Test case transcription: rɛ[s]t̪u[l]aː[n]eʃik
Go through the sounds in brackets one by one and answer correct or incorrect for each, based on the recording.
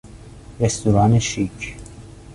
correct, incorrect, correct

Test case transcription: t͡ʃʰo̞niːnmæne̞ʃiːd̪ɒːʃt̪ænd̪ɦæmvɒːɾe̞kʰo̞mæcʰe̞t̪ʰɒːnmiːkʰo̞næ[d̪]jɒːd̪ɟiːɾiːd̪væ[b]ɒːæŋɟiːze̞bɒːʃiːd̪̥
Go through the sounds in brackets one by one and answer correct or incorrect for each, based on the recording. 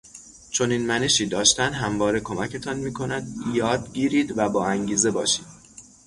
correct, correct

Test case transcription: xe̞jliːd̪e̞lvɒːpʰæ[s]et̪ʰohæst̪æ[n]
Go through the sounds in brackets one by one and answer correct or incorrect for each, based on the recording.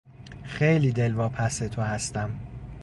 correct, incorrect

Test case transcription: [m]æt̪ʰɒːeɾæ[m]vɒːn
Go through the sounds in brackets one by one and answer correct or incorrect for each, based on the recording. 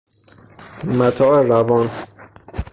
correct, incorrect

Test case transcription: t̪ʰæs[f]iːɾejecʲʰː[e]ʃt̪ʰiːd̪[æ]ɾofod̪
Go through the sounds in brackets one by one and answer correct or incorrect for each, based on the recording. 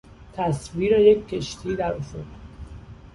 incorrect, correct, correct

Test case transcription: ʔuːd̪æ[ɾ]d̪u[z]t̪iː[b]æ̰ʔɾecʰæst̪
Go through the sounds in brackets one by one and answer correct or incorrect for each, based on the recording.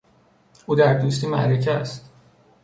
correct, incorrect, incorrect

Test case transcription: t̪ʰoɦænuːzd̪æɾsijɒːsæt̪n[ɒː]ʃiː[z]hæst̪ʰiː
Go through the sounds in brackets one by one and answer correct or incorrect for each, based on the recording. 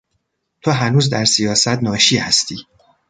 correct, incorrect

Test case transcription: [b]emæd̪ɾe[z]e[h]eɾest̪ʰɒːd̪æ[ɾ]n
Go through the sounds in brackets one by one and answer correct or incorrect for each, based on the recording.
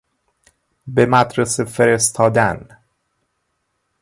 correct, incorrect, incorrect, incorrect

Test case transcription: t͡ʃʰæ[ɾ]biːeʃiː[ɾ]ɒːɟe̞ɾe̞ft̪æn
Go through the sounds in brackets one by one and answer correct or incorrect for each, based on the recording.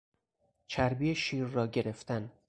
correct, incorrect

